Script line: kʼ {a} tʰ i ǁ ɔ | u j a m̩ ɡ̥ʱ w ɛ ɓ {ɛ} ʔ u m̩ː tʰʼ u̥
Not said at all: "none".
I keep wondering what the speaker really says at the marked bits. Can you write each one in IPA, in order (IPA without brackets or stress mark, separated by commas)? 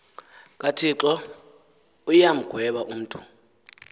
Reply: a, a